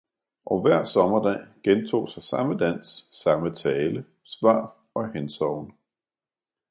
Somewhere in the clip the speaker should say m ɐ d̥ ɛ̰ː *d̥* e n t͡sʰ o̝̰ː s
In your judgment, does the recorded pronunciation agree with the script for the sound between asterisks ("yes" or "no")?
no